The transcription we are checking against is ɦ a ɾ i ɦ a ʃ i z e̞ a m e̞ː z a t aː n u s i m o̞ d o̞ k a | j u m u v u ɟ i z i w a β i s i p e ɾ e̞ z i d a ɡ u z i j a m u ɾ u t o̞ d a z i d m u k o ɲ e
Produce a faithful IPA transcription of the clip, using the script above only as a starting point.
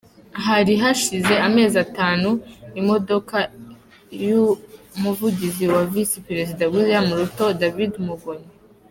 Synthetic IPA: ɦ a ɾ i ɦ a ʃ i z e̞ a m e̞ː z a t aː n u i m o̞ d o̞ k a | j u m u v u ɟ i z i w a v i s i p e ɾ e̞ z i d a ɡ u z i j a m u ɾ u t o̞ d a v i d m u ɡ o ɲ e